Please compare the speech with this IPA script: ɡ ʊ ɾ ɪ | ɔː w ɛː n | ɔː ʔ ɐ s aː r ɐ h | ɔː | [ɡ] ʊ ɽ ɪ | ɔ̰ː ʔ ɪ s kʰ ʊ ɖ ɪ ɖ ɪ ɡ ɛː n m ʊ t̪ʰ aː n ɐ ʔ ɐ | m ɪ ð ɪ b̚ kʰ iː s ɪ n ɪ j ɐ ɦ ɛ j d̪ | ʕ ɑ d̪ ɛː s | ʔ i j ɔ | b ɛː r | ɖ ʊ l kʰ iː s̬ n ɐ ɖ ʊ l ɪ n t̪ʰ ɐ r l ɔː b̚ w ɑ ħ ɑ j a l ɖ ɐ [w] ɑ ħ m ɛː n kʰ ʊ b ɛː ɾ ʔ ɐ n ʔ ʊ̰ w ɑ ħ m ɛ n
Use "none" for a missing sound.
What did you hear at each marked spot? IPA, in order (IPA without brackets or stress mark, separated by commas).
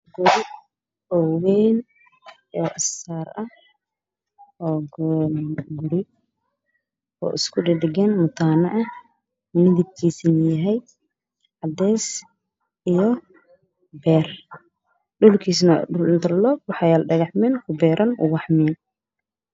ɡ, ɣ